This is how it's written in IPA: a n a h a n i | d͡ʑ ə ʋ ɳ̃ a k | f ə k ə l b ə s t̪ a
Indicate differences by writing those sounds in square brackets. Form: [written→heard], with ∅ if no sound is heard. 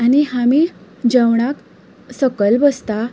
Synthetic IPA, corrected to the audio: a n [a→i] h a [n→m] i | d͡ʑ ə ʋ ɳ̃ a k | [f→s] ə k ə l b ə s t̪ a